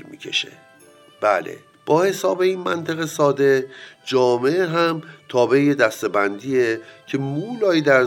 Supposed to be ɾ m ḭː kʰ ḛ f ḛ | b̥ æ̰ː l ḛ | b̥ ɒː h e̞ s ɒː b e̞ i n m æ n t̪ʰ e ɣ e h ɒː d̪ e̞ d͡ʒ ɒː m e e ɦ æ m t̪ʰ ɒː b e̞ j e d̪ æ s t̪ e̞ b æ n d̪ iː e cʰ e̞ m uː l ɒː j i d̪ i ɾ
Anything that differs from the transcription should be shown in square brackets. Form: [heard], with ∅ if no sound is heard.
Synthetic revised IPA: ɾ m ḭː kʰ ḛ [ʃ] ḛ | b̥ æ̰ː l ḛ | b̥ ɒː h e̞ s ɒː b e̞ i n m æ n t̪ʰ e ɣ e [s] ɒː d̪ e̞ d͡ʒ ɒː m e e ɦ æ m t̪ʰ ɒː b e̞ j e d̪ æ s t̪ e̞ b æ n d̪ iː e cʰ e̞ m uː l ɒː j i d̪ [æ] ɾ